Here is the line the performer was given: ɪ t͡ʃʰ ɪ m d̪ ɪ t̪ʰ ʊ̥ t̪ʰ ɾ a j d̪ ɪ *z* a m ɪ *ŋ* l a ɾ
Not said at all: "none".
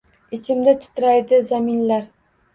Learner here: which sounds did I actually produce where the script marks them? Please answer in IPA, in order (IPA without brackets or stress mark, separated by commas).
z, n